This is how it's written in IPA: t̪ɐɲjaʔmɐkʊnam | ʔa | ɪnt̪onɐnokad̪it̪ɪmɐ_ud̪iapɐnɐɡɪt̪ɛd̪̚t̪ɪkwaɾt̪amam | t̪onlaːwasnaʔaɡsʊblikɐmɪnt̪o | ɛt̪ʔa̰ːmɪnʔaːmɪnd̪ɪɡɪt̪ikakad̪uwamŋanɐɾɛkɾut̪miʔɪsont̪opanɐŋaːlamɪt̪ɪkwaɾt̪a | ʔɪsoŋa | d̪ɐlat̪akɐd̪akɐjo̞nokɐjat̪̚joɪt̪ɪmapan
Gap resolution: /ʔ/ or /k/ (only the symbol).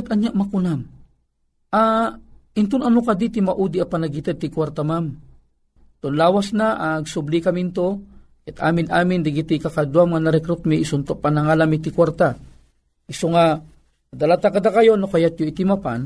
ʔ